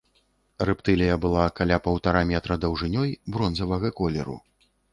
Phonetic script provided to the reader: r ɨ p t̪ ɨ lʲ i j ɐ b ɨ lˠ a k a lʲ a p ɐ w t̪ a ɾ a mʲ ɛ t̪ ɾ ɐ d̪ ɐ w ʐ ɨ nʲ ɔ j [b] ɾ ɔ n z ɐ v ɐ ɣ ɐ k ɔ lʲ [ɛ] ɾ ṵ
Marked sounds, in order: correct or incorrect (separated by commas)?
correct, correct